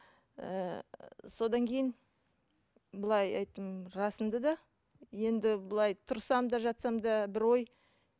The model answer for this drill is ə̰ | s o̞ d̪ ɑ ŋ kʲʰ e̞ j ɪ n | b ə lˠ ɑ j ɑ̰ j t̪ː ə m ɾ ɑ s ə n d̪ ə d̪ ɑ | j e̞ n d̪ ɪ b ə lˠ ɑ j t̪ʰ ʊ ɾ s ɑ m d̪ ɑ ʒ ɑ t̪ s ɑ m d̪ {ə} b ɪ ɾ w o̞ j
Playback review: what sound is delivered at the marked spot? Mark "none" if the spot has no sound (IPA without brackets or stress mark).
ɑ